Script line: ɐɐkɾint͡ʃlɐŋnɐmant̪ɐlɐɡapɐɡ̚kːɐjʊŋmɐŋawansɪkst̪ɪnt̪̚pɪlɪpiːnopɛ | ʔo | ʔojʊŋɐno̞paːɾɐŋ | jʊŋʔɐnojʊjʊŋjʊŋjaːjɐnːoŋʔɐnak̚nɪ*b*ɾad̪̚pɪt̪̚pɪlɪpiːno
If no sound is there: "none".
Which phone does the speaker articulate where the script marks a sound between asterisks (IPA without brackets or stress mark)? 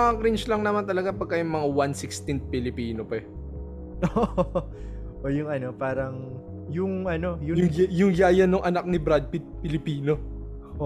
b